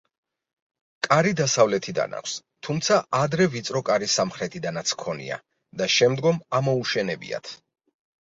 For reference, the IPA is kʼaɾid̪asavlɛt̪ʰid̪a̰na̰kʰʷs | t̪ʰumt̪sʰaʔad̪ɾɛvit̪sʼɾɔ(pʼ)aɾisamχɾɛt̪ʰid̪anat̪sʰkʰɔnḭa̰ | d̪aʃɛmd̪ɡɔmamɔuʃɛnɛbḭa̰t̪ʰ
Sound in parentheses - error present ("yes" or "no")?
yes